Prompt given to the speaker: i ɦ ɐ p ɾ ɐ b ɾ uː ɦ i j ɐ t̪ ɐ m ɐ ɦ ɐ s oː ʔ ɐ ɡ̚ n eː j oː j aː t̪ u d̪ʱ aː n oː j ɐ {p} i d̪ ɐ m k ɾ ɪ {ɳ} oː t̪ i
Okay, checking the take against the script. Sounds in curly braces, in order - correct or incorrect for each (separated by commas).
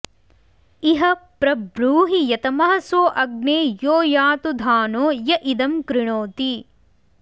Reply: incorrect, correct